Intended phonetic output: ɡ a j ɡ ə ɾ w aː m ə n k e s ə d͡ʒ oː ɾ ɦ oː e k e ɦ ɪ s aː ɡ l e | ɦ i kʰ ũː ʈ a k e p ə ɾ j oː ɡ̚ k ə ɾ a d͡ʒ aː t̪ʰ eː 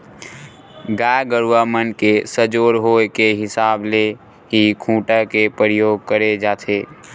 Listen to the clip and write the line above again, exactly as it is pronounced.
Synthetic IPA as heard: ɡ a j ɡ ə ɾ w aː m ə n k e s ə d͡ʒ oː ɾ ɦ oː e k e ɦ ɪ s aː b l e | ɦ i kʰ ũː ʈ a k e p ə ɾ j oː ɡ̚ k ə ɾ e d͡ʒ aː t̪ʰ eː